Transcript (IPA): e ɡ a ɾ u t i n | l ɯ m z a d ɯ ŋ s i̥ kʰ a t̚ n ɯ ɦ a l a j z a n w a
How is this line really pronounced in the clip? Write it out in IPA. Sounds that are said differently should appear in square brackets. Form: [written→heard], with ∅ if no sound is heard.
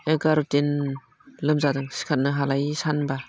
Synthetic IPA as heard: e ɡ a ɾ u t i n | l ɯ m z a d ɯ ŋ s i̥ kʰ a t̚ n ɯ ɦ a l a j [z→s] a n [w→b] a